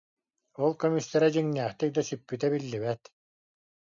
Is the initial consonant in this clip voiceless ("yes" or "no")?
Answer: no